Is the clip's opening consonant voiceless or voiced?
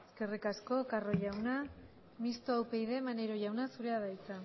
voiceless